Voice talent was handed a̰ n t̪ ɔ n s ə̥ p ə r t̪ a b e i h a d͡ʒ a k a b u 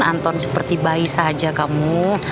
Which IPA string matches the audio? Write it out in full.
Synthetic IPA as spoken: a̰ n t̪ ɔ n s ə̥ p ə r t̪ i b a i s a d͡ʒ a k a m u